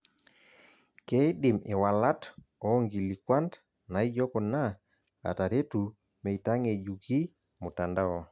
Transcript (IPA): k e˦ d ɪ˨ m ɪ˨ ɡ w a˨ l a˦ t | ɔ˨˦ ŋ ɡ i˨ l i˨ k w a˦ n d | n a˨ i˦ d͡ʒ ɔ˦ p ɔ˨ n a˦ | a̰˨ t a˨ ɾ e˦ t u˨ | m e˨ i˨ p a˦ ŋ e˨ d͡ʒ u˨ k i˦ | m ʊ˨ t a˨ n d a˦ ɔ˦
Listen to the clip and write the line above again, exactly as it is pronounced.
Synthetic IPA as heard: k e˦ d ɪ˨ m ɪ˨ w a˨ l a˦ t | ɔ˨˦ ŋ ɡ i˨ l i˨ k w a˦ n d | n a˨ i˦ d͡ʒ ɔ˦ k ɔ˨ n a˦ | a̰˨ t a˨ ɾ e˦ t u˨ | m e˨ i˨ t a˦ ŋ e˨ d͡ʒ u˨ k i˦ | m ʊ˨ t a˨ n d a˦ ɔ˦